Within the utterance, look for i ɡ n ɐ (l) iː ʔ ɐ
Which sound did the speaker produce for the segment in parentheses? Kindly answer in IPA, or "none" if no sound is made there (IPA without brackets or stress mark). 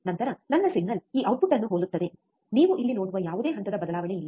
l